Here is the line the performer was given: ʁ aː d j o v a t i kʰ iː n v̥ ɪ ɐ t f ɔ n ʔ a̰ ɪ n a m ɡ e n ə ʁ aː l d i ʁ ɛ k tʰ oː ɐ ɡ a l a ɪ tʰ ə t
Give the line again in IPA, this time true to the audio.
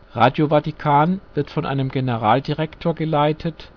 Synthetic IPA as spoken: ʁ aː d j o v a t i kʰ aː n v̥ ɪ ɐ t f ɔ n ʔ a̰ ɪ n ə m ɡ e n ə ʁ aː l d i ʁ ɛ k tʰ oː ɐ ɡ ə l a ɪ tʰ ə t